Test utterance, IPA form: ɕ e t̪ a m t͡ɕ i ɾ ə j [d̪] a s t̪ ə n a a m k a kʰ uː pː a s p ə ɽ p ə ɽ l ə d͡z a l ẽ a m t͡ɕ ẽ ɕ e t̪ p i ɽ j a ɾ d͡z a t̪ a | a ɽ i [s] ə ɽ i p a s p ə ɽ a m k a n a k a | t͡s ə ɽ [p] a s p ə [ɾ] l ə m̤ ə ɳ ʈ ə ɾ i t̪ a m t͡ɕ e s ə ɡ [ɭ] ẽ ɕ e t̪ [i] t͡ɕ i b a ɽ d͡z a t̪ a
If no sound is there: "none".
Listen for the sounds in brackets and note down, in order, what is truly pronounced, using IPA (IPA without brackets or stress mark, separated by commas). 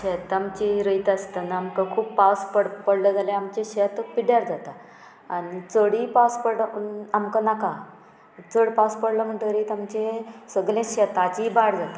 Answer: t̪, t͡s, p, ɽ, l, a